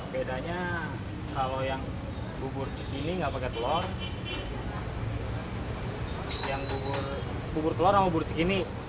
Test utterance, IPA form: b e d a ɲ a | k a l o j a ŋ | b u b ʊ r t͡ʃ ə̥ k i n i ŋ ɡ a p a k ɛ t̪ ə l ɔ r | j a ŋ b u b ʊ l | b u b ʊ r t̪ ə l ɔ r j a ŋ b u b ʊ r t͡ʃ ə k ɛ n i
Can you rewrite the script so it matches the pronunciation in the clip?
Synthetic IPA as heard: b e d a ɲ a | k a l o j a ŋ | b u b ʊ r t͡ʃ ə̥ k i n i ŋ ɡ a p a k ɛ t̪ ə l ɔ r | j a ŋ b u b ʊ r | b u b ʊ r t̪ ə l ɔ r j a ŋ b u b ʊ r t͡ʃ ə k i n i